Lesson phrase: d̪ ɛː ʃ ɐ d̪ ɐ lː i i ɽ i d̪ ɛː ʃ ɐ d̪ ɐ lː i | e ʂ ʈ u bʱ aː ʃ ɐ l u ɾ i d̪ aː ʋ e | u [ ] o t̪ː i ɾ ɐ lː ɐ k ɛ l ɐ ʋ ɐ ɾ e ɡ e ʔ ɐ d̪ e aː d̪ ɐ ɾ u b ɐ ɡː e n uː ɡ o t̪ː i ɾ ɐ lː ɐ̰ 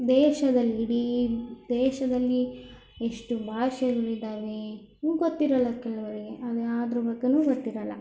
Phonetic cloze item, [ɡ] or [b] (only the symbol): ɡ